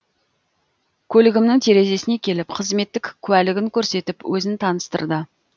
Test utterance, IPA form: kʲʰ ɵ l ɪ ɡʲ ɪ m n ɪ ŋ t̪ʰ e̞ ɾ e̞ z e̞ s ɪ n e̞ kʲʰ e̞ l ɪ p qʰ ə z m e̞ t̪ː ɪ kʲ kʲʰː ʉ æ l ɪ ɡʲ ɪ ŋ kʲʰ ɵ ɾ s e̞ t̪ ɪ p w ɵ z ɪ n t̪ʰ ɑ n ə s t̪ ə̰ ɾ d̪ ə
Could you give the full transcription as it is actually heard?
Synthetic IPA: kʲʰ ɵ l ɪ ɡʲ ɪ m n ɪ ŋ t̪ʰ e̞ ɾ e̞ z e̞ s ɪ n e̞ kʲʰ e̞ l ɪ p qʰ ə z m e̞ t̪ː ɪ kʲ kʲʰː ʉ æ l ɪ ɡʲ ɪ ŋ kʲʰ ɵ ɾ s e̞ t̪ ɪ p w ɵ z ɪ n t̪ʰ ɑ n ə s t̪ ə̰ ɾ d̪ ə